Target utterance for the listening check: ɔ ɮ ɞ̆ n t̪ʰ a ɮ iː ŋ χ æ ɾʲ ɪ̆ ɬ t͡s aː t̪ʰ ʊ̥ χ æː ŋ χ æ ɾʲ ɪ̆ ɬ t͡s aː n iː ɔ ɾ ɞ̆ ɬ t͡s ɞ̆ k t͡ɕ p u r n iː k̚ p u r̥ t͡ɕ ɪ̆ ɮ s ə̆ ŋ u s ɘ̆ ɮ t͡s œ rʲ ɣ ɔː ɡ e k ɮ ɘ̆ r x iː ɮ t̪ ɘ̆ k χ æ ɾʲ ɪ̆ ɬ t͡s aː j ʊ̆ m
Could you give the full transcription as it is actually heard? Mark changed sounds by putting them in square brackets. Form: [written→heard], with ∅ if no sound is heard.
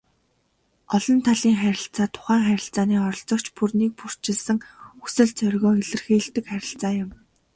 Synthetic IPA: ɔ ɮ ɞ̆ n t̪ʰ a ɮ iː ŋ χ æ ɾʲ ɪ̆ ɬ t͡s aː t̪ʰ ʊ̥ χ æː ŋ χ æ ɾʲ ɪ̆ ɬ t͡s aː n iː ɔ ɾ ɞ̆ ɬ t͡s ɞ̆ k t͡ɕ p u r n iː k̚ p u r̥ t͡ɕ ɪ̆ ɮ s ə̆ ŋ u s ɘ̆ ɮ t͡s œ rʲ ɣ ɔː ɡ e [k→∅] ɮ ɘ̆ r x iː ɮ t̪ ɘ̆ k χ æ ɾʲ ɪ̆ ɬ t͡s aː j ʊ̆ m